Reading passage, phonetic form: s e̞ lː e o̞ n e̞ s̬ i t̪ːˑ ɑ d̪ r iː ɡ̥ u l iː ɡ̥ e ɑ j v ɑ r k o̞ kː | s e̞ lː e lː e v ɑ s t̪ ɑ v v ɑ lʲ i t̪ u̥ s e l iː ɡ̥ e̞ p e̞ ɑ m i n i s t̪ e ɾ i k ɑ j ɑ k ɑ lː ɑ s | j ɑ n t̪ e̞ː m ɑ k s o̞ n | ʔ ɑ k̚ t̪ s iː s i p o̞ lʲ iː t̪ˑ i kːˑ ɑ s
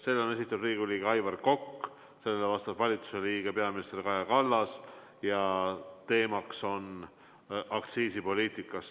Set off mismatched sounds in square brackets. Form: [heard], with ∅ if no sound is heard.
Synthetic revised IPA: s e̞ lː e o̞ n e̞ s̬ i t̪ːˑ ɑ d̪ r iː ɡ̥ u l iː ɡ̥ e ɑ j v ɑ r k o̞ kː | s e̞ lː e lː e v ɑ s t̪ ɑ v v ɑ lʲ i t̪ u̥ s e l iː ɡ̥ e̞ p e̞ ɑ m i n i s t̪ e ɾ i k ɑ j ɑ k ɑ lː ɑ s | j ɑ [∅] t̪ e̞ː m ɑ k s o̞ n | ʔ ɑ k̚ t̪ s iː s i p o̞ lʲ iː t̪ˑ i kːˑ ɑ s